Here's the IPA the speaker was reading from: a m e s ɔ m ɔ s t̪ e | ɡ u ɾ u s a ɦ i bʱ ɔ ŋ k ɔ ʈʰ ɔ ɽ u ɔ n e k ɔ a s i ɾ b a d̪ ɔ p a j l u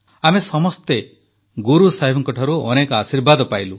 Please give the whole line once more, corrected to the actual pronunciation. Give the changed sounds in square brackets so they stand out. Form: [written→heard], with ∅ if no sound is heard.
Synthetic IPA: a m e s ɔ m ɔ s t̪ e | ɡ u ɾ u s a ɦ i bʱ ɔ ŋ k ɔ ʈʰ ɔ [ɽ→ɾ] u ɔ n e k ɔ a s i ɾ b a d̪ ɔ p a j l u